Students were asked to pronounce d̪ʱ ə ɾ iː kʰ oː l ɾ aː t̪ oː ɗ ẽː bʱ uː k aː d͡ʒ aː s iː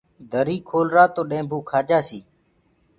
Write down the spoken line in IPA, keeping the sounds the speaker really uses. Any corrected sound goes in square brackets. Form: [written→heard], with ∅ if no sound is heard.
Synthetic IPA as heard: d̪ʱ ə ɾ iː kʰ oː l ɾ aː t̪ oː ɗ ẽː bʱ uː [k→kʰ] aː d͡ʒ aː s iː